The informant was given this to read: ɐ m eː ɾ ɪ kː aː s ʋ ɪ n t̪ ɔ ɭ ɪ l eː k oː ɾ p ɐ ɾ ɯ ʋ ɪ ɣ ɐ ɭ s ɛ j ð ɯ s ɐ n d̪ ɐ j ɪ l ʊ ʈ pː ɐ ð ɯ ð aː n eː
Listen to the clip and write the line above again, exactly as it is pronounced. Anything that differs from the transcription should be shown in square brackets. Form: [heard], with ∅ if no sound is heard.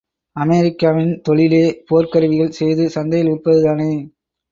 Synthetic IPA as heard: ɐ m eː ɾ ɪ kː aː [∅] ʋ ɪ n t̪ ɔ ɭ ɪ l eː [p] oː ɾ [k] ɐ ɾ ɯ ʋ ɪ ɣ ɐ ɭ s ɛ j ð ɯ s ɐ n d̪ ɐ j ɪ l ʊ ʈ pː ɐ ð ɯ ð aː n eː